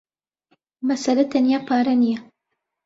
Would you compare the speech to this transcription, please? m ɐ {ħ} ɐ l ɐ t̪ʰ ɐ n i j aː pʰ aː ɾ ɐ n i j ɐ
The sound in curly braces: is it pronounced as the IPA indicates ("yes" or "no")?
no